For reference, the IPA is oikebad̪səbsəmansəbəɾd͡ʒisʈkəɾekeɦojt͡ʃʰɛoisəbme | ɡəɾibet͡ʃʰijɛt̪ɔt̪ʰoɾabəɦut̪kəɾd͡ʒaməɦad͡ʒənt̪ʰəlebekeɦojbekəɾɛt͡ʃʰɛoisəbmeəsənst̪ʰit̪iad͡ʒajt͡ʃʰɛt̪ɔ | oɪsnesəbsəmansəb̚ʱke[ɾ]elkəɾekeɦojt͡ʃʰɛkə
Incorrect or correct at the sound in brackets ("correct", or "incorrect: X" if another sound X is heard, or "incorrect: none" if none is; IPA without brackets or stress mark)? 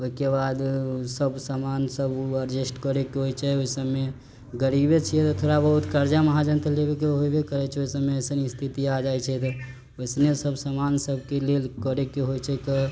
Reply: incorrect: l